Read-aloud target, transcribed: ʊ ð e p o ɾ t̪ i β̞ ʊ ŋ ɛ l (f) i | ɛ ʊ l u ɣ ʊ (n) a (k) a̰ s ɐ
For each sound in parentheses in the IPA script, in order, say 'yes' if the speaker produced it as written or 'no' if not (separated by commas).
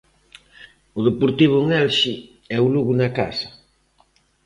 no, yes, yes